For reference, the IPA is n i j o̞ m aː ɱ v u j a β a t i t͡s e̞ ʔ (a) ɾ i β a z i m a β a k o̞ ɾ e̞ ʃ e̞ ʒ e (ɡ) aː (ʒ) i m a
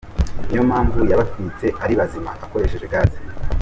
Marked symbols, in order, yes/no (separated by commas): yes, yes, no